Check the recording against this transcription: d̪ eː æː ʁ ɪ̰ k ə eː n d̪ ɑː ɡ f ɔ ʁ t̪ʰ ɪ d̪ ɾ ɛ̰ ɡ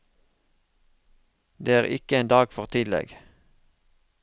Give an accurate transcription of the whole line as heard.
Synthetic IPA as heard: d̪ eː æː ʁ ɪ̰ k ə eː n d̪ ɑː ɡ f ɔ ʁ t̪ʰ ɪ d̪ l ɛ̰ ɡ